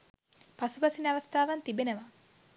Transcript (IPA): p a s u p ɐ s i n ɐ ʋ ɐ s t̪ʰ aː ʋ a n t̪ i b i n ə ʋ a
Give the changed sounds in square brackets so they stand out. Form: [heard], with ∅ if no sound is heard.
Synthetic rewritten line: p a s u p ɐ s i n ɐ ʋ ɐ s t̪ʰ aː ʋ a n t̪ i b [e] n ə ʋ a

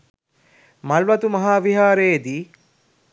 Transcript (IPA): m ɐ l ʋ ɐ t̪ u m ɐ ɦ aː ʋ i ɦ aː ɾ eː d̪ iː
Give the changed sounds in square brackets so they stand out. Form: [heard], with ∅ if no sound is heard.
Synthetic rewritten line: m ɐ l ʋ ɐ t̪ u m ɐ ɦ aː ʋ i ɦ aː ɾ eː d̪ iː

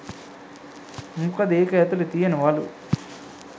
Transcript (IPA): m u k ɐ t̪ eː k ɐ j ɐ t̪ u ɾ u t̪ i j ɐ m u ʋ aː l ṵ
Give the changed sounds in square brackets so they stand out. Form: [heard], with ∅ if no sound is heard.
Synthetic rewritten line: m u k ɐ [d̪] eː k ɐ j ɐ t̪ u [l] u t̪ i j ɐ [n] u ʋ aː l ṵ

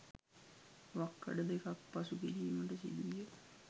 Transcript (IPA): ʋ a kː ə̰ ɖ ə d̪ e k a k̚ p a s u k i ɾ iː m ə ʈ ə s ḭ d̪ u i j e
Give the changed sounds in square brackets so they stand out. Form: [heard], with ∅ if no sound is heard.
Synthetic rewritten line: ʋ a kː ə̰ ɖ ə d̪ e k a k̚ p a s u k i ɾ iː m ə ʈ ə s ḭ d̪ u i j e

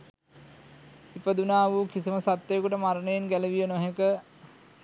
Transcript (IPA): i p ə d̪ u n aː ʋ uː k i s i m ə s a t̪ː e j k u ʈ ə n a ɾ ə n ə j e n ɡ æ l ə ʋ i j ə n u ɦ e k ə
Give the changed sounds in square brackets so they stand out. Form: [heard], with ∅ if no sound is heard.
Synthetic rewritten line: i p ə d̪ u n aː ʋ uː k i s i m ə s a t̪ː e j k u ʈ ə [m] a ɾ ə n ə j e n ɡ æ l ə ʋ i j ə n [o] ɦ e k ə

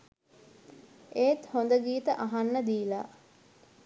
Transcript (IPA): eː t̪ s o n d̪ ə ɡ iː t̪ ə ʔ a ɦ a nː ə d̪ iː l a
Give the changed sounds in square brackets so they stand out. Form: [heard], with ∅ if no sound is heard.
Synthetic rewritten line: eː t̪ [h] o n d̪ ə ɡ iː t̪ ə ʔ a ɦ a nː ə d̪ iː l a

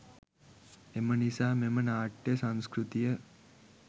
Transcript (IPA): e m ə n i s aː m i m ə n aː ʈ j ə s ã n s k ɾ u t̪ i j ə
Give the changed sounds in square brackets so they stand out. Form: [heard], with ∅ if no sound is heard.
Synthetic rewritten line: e m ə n i s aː m [e] m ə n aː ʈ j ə s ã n s k ɾ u t̪ i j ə

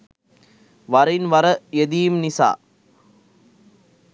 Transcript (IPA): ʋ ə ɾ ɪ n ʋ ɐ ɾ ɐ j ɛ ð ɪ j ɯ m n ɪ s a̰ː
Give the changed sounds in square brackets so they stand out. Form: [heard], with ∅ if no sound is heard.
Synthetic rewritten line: ʋ [ɐ] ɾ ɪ n ʋ ɐ ɾ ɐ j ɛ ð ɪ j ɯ m n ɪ s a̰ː

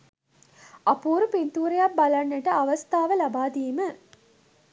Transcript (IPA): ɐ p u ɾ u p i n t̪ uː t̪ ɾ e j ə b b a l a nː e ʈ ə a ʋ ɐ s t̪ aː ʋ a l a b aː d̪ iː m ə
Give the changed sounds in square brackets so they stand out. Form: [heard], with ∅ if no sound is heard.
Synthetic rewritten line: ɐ p [uː] ɾ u p i n t̪ uː [∅] ɾ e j [a] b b a l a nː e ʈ ə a ʋ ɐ s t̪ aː ʋ [ə] l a b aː d̪ iː m ə

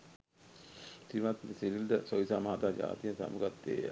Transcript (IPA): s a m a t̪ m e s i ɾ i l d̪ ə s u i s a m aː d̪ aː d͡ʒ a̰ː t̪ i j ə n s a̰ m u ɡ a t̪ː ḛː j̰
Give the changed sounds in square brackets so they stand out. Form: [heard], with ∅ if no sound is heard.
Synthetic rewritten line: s [i] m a t̪ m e s i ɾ i l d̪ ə s [o] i s a m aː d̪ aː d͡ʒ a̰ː t̪ i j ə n s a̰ m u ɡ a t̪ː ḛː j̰

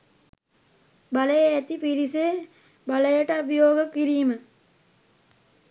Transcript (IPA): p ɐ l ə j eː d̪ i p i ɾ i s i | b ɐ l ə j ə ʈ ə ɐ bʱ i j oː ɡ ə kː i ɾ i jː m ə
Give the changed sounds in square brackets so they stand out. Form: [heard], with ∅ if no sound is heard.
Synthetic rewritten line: [b] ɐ l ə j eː [t̪] i p i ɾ i s [e] | b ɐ l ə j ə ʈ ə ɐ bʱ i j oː ɡ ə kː i ɾ i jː m ə

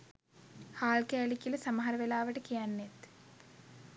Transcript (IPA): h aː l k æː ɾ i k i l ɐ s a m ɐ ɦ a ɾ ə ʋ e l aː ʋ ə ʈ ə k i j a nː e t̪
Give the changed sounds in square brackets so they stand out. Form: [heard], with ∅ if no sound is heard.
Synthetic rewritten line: h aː l k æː [l] i k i l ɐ s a m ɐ ɦ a ɾ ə ʋ e l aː ʋ ə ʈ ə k i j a nː e t̪

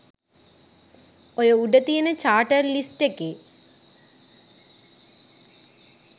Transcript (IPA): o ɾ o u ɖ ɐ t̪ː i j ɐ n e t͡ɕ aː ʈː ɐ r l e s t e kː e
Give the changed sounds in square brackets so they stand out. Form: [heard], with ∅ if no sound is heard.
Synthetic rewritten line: o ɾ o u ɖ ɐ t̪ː i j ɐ n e t͡ɕ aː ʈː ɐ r l [i] s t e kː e

